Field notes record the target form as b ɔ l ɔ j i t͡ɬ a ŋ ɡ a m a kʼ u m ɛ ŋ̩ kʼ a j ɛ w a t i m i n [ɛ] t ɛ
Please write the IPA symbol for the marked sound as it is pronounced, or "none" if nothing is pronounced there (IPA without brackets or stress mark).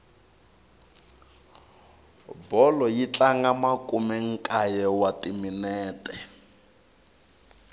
ɛː